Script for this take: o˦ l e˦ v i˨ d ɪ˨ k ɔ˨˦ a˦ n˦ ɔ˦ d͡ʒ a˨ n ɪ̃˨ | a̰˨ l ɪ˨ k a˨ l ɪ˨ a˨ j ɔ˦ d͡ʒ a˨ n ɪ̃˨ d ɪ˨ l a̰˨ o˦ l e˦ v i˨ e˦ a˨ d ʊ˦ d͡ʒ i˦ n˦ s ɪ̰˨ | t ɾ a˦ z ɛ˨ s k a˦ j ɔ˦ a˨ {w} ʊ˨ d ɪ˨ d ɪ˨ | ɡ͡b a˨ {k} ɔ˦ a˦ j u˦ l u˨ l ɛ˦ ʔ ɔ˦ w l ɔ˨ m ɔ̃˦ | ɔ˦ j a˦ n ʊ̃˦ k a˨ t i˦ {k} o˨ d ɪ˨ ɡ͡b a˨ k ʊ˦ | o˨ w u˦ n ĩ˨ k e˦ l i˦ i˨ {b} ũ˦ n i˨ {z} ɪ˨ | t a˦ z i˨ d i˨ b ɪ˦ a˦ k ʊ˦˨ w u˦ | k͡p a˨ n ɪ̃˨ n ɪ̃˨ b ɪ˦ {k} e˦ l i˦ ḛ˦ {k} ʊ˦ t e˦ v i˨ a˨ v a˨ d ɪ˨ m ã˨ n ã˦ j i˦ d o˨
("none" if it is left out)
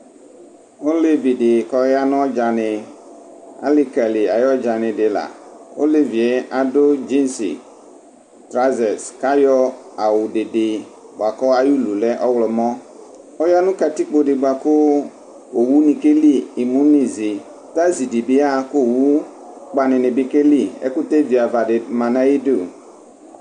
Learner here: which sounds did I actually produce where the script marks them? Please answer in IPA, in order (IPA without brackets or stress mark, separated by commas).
w, k, k͡p, m, z, k, k